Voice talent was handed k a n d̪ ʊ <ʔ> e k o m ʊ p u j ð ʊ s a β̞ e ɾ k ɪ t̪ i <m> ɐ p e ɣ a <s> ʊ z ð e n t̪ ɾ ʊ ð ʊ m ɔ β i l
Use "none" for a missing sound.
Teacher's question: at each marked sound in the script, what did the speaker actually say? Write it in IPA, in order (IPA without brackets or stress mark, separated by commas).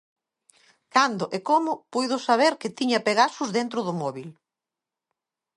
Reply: ʔ, ɲ, s